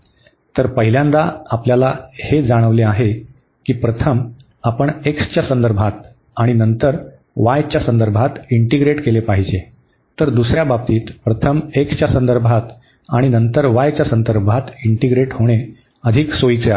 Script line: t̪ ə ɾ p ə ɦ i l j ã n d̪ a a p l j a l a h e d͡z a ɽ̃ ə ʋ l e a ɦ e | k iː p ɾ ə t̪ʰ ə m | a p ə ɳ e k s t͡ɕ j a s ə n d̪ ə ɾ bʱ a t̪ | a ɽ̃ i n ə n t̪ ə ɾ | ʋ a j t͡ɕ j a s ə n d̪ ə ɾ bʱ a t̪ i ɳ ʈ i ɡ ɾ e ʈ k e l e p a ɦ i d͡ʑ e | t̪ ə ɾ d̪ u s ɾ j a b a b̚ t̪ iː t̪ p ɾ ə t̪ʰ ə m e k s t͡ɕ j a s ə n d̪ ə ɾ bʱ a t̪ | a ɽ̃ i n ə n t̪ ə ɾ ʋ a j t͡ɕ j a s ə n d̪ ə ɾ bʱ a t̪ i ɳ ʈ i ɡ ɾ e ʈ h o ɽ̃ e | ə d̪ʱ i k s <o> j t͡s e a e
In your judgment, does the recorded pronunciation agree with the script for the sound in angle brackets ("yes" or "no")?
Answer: yes